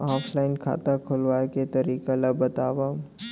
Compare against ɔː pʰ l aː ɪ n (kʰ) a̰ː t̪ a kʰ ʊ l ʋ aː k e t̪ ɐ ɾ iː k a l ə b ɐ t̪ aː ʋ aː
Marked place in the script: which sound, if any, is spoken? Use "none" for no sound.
kʰ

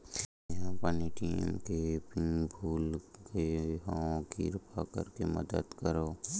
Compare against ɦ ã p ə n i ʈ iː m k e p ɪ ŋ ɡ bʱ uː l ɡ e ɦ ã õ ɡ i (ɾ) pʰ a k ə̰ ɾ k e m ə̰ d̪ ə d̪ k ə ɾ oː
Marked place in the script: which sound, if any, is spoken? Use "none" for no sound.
ɾ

